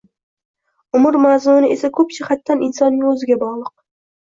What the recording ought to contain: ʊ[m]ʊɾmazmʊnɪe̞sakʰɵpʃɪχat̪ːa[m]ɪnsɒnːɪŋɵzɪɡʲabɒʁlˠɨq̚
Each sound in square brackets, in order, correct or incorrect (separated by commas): correct, incorrect